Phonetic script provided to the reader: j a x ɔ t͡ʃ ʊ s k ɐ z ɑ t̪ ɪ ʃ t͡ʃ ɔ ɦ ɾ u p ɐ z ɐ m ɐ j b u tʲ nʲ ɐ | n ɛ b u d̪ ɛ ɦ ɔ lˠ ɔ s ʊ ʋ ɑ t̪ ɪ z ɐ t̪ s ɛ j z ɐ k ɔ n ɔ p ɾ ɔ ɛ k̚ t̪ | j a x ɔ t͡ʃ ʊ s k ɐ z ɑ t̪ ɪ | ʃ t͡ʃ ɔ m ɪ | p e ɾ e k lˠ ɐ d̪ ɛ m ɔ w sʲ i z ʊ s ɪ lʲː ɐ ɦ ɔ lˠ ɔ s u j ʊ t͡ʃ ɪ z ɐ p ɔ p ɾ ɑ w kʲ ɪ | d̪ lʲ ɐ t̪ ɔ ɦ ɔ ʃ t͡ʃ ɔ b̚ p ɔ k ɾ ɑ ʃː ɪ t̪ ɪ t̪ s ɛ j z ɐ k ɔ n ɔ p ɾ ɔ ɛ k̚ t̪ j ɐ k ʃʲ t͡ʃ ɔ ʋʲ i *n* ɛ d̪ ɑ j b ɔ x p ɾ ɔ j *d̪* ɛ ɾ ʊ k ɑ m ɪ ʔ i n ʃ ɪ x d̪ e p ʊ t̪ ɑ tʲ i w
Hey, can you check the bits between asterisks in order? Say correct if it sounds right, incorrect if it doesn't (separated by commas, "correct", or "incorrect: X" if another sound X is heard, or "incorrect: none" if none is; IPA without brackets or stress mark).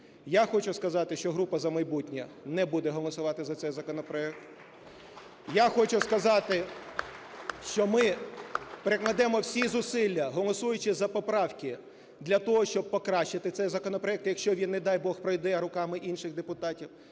incorrect: nː, correct